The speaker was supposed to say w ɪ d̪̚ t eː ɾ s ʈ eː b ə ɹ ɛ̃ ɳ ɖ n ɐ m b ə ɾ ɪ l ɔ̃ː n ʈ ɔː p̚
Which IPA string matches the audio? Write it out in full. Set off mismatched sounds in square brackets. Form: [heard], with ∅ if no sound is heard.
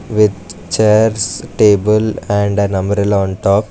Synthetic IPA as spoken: [ʋ] ɪ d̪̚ [t͡ʃ] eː ɾ s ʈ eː b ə [l] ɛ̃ ɳ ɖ n ɐ m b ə ɾ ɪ l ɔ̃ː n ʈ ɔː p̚